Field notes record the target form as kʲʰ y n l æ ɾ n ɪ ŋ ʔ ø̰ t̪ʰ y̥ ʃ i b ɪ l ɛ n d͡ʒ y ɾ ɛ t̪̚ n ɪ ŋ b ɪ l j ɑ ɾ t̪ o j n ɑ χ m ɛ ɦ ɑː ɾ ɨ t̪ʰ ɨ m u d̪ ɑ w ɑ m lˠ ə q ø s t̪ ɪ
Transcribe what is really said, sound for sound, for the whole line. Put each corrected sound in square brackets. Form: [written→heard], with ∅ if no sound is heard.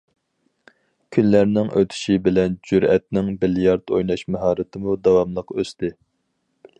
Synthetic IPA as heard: kʲʰ y n l æ ɾ n ɪ ŋ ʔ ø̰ t̪ʰ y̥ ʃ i b ɪ l ɛ n d͡ʒ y ɾ ɛ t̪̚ n ɪ ŋ b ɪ l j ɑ ɾ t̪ o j n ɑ [χ→ʃ] m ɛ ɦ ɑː ɾ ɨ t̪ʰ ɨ m u d̪ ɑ w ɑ m lˠ ə q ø s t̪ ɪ